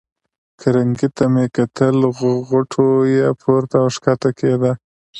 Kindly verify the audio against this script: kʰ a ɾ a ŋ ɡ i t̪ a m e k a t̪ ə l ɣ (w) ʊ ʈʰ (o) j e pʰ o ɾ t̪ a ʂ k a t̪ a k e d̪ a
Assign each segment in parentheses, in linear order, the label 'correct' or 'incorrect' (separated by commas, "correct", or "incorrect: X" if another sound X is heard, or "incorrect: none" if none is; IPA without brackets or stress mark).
incorrect: ɣ, correct